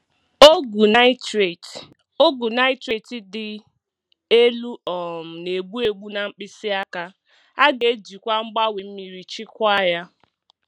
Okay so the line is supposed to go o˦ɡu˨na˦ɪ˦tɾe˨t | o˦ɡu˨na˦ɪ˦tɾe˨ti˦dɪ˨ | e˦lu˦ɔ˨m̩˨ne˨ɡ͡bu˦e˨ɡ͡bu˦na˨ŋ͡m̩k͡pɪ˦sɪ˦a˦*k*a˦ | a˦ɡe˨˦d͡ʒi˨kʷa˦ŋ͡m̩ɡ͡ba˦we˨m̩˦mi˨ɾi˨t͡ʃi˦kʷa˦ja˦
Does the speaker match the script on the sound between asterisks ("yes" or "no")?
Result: yes